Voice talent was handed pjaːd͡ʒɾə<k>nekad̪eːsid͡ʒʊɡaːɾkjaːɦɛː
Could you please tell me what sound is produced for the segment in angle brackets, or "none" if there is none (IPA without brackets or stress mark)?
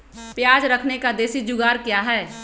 kʰ